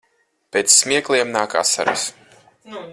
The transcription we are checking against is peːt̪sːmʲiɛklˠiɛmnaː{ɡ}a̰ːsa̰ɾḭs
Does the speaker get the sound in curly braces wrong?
yes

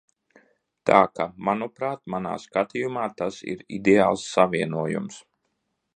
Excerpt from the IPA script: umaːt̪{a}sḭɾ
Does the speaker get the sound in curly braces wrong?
no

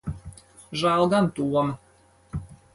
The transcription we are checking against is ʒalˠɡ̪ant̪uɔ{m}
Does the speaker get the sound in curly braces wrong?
no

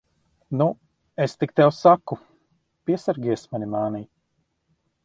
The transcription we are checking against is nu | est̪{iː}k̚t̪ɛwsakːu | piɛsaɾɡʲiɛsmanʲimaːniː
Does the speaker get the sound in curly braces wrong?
yes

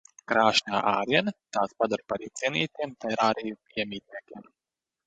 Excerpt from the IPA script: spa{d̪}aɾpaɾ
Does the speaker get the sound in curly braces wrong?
no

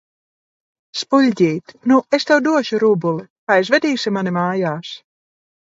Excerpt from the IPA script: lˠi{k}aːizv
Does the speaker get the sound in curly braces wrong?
no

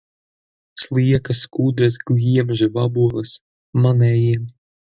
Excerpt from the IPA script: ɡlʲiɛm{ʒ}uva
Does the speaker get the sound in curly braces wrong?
no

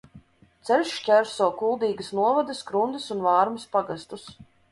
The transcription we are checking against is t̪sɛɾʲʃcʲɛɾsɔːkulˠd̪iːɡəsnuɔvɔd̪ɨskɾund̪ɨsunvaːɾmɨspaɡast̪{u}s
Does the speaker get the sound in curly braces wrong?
no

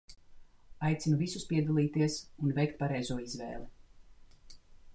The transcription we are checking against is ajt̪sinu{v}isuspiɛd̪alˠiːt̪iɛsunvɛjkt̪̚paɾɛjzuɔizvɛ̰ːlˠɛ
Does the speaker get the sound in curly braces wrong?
no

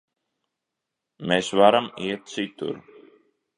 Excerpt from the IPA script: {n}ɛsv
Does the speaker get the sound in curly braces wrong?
yes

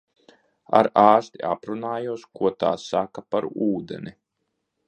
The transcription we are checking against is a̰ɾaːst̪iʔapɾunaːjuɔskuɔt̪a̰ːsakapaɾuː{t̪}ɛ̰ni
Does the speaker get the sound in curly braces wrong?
yes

